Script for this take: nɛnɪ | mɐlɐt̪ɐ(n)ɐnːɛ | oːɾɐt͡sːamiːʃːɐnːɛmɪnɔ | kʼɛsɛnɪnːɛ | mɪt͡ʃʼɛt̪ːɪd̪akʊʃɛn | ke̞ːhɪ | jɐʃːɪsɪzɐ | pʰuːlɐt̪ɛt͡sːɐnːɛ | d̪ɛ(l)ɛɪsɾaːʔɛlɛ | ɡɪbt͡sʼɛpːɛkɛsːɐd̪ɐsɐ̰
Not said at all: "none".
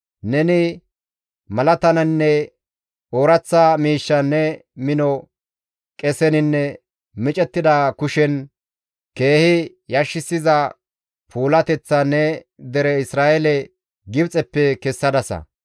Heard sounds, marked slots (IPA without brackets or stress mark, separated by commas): n, ɾ